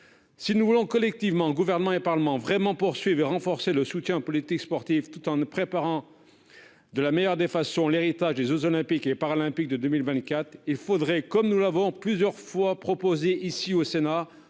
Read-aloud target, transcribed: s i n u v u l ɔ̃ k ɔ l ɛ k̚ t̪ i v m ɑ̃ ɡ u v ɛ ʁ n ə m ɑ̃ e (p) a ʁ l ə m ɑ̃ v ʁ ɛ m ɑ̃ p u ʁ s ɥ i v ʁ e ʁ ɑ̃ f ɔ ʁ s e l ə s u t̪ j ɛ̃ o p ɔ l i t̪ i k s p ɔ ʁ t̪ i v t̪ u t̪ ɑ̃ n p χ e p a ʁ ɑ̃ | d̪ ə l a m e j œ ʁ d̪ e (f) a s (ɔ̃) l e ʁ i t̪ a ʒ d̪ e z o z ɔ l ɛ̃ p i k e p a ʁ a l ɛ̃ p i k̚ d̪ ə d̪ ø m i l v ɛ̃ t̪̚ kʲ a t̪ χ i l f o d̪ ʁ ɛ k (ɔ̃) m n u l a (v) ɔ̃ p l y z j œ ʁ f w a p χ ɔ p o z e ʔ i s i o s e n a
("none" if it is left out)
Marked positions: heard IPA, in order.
p, f, ɔ̃, ɔ, v

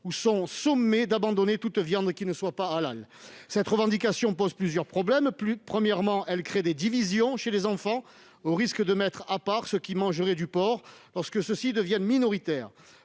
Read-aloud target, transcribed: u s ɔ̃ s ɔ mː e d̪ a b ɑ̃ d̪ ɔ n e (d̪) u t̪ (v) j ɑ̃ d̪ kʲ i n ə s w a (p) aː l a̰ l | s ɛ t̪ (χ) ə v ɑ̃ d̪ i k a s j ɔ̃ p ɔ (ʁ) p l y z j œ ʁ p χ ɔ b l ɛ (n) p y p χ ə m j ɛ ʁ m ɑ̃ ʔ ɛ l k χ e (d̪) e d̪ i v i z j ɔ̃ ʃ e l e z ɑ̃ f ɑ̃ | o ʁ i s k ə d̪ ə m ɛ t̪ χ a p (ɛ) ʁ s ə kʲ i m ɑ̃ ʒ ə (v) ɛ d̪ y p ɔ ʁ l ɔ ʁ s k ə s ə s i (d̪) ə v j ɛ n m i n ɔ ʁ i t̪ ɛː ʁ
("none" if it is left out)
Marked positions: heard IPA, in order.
t̪, v, p, ʁ, z, m, d̪, a, ʁ, d̪

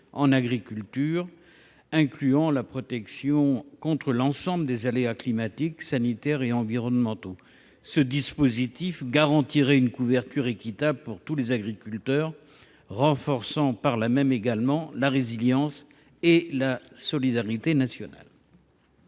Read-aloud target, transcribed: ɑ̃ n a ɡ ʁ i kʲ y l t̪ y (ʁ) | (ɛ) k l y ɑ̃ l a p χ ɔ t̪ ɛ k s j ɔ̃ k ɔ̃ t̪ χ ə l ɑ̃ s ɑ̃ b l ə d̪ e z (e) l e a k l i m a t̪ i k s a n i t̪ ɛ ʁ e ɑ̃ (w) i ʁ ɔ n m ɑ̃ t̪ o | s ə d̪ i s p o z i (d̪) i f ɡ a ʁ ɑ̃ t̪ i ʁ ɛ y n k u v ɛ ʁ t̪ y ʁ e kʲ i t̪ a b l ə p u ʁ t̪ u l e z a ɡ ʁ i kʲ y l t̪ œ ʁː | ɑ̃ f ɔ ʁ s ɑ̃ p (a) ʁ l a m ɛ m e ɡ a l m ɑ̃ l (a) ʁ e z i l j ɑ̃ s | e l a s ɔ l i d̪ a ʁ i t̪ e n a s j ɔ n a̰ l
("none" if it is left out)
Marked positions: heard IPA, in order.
ʁ, ɛ̃, a, v, t̪, a, a

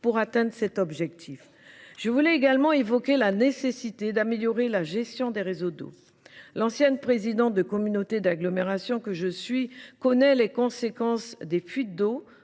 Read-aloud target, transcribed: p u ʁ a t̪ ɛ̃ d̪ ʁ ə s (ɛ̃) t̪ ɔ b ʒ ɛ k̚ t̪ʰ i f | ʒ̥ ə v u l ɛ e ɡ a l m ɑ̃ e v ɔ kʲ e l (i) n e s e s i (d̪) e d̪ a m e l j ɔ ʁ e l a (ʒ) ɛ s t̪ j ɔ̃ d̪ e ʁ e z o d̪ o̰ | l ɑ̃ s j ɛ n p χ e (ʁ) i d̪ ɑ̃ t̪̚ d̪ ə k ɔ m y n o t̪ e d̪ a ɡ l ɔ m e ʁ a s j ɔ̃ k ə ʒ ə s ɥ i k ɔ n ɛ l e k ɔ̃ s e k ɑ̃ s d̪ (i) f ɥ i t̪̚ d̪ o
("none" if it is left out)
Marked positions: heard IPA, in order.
ɛ, a, t̪, ʒ, z, e

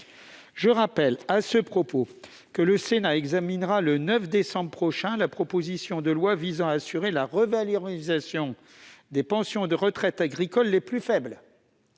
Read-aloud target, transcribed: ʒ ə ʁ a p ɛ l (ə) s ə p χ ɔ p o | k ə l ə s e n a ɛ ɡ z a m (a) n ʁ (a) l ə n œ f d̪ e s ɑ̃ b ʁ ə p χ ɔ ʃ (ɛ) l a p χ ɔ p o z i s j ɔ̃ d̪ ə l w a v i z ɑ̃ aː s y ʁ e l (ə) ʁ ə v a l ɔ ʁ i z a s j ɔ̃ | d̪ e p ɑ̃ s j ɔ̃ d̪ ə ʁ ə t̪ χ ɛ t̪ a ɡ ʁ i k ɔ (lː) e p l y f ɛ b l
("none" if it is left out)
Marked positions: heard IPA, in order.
a, i, a, ɛ̃, a, lː

